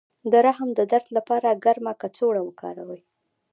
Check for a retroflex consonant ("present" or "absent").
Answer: present